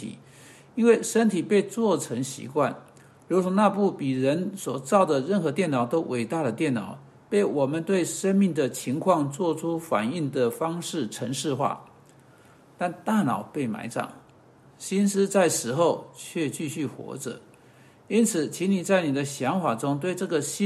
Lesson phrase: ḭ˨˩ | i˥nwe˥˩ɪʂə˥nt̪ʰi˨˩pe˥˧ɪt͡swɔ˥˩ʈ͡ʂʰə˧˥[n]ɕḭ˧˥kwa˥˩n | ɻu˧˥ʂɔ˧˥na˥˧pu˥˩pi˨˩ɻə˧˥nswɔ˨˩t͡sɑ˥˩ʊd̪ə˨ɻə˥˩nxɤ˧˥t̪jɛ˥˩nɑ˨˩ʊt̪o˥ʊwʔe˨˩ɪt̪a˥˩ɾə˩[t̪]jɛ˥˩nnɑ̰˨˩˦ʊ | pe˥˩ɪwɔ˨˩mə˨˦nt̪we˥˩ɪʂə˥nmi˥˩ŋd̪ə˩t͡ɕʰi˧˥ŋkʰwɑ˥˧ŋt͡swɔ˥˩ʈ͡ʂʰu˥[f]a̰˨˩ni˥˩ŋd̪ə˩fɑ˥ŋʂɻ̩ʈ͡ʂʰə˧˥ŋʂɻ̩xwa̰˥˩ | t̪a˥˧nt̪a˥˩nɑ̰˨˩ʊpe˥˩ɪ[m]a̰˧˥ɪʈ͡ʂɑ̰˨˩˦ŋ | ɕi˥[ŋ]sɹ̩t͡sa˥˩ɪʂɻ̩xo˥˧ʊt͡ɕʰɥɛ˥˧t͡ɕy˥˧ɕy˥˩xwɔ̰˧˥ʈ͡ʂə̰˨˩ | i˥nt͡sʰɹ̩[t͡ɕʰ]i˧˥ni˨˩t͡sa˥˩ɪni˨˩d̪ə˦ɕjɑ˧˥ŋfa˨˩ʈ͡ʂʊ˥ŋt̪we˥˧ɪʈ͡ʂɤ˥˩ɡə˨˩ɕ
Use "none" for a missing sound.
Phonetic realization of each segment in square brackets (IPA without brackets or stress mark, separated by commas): ŋ, t̪, f, m, n, t͡ɕʰ